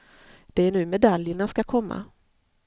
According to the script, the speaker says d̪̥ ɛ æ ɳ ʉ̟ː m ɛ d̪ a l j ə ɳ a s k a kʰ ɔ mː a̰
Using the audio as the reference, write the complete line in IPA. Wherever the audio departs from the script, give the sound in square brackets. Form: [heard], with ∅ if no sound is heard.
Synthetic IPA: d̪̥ ɛ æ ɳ ʉ̟ː m ɛ d̪ a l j ə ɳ a s k a kʰ ɔ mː a̰